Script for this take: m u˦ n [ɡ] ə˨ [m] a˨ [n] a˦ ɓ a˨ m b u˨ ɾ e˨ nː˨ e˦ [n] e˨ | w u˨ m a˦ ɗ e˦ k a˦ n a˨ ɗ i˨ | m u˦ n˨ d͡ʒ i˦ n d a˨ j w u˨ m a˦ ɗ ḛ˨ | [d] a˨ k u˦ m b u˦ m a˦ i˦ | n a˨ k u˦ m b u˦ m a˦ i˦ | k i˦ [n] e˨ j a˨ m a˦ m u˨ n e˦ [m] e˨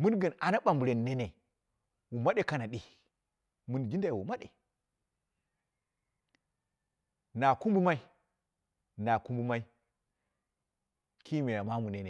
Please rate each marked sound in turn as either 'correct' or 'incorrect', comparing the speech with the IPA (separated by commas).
correct, incorrect, correct, correct, incorrect, incorrect, incorrect